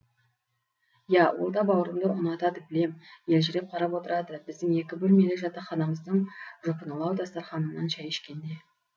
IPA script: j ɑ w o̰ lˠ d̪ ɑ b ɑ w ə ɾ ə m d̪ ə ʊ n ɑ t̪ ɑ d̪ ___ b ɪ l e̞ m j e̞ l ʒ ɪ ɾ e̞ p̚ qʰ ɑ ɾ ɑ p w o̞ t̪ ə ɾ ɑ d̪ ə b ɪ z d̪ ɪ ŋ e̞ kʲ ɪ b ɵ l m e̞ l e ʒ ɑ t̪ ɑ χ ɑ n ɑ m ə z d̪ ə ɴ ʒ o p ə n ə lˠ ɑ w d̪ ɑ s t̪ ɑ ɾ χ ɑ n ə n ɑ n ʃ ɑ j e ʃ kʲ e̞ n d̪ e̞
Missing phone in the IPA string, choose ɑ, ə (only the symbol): ə